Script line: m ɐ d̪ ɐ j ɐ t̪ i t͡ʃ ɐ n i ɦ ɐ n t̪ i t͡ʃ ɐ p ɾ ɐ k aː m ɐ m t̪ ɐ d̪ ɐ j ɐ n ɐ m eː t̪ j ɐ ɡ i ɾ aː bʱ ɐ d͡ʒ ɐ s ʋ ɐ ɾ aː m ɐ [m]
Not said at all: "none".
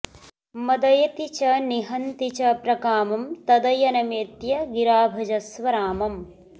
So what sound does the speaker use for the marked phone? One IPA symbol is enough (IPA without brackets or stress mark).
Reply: m